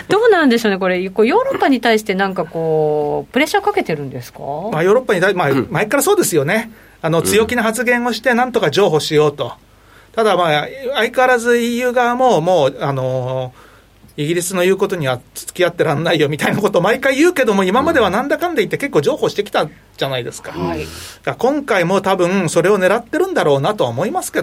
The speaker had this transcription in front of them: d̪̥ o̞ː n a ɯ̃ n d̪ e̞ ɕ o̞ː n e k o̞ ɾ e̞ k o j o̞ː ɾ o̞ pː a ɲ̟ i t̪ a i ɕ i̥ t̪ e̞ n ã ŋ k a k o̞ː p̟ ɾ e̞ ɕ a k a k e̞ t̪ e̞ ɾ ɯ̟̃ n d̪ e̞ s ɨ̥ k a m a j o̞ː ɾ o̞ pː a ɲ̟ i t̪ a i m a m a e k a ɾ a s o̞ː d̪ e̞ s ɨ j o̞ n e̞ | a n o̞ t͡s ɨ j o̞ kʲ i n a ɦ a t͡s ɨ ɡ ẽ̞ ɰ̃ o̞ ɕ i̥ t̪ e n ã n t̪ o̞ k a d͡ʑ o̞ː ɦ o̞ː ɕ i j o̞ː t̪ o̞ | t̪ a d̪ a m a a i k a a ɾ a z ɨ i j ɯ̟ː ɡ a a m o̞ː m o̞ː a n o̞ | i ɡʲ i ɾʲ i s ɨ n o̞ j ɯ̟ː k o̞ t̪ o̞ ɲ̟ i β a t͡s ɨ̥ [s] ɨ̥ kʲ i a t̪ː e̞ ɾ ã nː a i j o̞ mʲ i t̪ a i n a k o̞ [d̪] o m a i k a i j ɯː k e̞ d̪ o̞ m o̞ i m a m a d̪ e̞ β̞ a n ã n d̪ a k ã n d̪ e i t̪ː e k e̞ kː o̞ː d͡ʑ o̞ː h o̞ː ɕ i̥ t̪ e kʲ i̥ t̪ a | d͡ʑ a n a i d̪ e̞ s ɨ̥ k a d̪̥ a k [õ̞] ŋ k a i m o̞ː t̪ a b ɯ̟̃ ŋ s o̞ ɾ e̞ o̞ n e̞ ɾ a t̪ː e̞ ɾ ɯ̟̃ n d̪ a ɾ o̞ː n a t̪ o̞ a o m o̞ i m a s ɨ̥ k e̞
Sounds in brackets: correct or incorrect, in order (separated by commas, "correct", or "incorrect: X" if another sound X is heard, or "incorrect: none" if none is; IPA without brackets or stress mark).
incorrect: t͡s, incorrect: t̪, correct